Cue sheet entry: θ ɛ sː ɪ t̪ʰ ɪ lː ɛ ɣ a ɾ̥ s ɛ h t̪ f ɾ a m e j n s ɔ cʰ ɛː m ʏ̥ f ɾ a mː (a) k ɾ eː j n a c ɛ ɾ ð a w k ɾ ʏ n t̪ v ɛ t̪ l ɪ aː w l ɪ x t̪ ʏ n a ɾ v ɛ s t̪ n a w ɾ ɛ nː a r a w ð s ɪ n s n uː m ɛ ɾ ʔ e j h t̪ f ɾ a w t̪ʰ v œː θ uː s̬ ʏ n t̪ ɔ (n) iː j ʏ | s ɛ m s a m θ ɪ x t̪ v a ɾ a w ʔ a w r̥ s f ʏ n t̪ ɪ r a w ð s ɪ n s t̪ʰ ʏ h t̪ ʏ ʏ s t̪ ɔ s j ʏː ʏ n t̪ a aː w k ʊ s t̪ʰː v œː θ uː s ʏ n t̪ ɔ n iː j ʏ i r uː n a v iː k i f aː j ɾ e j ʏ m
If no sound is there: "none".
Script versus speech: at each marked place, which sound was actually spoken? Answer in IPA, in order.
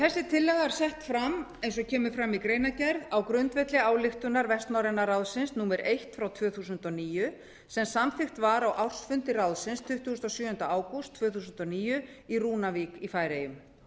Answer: i, n

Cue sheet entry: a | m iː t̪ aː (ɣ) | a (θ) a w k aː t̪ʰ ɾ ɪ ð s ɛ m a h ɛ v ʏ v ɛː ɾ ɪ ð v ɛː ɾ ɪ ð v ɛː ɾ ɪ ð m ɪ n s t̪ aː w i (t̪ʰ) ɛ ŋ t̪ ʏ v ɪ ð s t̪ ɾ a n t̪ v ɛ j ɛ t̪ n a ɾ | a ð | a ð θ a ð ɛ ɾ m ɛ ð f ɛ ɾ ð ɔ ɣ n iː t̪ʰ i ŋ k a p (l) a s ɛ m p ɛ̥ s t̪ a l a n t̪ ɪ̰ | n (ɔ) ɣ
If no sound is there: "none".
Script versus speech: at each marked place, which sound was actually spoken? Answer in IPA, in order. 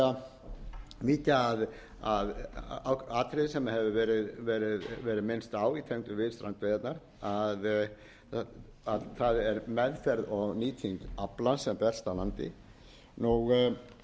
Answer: ð, ð, t̪ʰ, l, u

